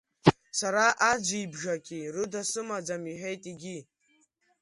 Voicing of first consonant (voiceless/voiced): voiceless